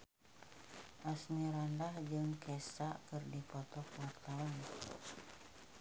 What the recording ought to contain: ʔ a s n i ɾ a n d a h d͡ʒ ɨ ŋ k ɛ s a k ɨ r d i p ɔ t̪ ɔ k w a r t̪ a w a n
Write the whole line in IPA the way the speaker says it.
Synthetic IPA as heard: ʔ a s n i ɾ a n d a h d͡ʒ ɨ ŋ k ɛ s a k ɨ r d i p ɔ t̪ ɔ k w a r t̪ a w a n